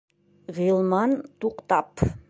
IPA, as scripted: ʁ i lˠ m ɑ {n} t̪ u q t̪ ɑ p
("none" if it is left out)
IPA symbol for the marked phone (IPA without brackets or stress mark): n